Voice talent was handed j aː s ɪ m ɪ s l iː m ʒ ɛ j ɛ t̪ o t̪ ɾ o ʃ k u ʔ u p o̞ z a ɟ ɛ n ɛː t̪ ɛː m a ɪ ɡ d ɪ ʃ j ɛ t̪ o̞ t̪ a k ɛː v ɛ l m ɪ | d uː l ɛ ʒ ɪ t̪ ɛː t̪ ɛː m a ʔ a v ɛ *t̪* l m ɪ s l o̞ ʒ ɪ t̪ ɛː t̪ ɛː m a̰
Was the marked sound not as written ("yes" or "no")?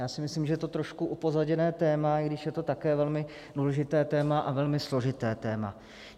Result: yes